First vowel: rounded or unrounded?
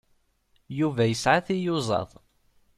rounded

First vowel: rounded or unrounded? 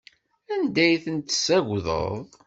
unrounded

